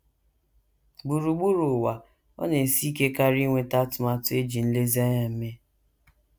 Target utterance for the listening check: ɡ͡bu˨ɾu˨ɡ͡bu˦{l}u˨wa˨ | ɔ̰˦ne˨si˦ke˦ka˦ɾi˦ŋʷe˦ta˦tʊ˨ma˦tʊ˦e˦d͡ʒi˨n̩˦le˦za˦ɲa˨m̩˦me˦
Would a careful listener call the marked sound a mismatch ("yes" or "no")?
yes